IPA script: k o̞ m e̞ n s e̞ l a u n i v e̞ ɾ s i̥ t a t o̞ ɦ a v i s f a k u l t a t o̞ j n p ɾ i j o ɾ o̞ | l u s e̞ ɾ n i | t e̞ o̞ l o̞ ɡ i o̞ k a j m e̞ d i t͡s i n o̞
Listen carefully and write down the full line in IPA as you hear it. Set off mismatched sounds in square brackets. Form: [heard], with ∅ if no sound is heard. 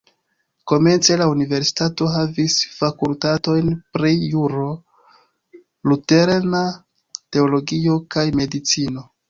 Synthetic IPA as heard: k o̞ m e̞ n [t͡s] e̞ l a u n i v e̞ ɾ s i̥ t a t o̞ ɦ a v i s f a k u l t a t o̞ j n p ɾ i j [u] ɾ o̞ | l u [t] e̞ ɾ n [a] | t e̞ o̞ l o̞ ɡ i o̞ k a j m e̞ d i t͡s i n o̞